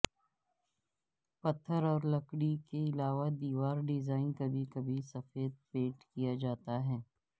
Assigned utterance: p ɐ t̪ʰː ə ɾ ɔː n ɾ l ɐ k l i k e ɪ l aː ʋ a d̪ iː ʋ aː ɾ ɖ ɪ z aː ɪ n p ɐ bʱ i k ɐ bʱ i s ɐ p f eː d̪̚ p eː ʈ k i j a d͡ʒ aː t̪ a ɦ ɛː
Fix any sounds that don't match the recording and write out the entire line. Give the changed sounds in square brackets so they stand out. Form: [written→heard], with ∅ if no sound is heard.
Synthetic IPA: p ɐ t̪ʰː ə ɾ ɔː [n→∅] ɾ l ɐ k [l→ɽ] i k e ɪ l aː ʋ a d̪ iː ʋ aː ɾ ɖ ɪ z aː ɪ n [p→k] ɐ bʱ i k ɐ bʱ i s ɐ [p→∅] f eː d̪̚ p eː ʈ k i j a d͡ʒ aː t̪ a ɦ ɛː